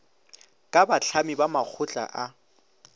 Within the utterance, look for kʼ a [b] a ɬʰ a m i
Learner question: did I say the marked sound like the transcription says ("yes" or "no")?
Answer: yes